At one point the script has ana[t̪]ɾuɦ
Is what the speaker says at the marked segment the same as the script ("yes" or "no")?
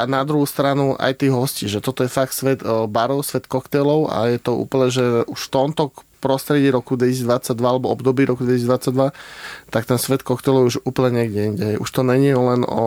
no